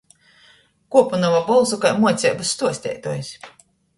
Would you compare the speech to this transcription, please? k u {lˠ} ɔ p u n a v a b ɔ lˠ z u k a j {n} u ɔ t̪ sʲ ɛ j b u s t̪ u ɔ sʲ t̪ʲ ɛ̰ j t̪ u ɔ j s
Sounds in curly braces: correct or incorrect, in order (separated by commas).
incorrect, incorrect